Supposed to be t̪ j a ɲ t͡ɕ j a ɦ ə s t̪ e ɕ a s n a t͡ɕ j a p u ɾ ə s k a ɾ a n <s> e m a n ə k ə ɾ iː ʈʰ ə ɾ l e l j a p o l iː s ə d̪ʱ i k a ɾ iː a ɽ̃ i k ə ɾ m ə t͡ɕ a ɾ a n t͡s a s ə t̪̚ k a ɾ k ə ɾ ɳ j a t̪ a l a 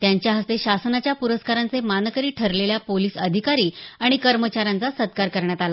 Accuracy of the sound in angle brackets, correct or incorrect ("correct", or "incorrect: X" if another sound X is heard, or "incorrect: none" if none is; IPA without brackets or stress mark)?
incorrect: t͡s